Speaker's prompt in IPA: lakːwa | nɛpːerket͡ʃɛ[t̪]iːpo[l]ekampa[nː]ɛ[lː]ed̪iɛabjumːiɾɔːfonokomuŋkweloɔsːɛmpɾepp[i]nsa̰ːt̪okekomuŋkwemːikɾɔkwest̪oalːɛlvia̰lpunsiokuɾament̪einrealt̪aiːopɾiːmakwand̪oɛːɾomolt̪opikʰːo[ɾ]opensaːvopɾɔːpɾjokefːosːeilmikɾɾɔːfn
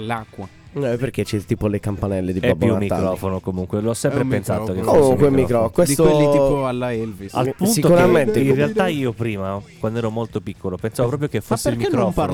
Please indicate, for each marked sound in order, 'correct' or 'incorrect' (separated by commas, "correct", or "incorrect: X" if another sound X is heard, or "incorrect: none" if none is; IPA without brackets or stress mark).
correct, correct, incorrect: n, correct, incorrect: e, incorrect: l